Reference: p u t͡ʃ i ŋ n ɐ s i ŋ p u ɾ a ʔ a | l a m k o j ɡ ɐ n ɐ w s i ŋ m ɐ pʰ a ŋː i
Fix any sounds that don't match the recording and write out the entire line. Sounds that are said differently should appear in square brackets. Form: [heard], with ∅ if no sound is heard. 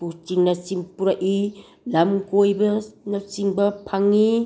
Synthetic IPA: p u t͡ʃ i ŋ n ɐ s i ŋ p u ɾ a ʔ [i] | l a m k o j [b] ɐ n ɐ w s i ŋ [b] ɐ pʰ a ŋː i